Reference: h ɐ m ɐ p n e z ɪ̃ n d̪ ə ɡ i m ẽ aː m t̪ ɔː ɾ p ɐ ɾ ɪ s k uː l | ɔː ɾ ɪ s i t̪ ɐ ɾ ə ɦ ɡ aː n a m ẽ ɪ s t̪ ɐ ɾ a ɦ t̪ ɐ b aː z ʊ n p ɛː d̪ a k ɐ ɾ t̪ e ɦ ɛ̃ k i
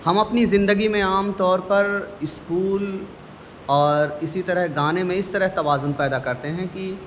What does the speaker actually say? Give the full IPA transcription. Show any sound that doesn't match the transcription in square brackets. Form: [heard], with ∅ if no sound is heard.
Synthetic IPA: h ɐ m ɐ p n [i] z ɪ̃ n d̪ ə ɡ i m ẽ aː m t̪ ɔː ɾ p ɐ ɾ ɪ s k uː l | ɔː ɾ ɪ s i t̪ ɐ ɾ ə ɦ ɡ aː n [e] m ẽ ɪ s t̪ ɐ ɾ [ə] ɦ t̪ ɐ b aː z ʊ n p ɛː d̪ a k ɐ ɾ t̪ e ɦ ɛ̃ k i